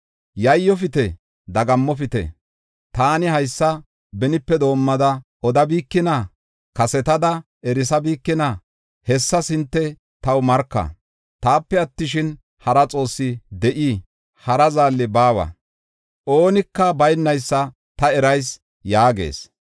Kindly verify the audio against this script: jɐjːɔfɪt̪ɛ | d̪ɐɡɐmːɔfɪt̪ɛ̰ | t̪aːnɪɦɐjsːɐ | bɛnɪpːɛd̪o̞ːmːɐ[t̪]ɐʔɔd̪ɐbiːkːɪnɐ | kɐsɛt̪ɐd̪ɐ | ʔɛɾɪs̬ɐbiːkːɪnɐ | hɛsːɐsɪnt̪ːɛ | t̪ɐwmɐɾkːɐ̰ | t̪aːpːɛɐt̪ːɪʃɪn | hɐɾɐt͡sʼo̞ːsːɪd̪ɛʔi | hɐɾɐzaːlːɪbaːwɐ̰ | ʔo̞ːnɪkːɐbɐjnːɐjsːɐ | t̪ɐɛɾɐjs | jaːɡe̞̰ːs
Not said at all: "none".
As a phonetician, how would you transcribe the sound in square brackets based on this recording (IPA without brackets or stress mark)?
d̪